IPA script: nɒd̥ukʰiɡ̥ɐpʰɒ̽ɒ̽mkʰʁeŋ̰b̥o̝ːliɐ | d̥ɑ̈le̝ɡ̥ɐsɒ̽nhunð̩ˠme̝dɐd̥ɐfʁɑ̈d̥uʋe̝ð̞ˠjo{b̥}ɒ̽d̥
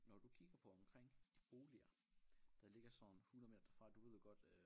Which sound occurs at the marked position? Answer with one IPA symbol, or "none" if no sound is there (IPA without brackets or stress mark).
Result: ɡ̥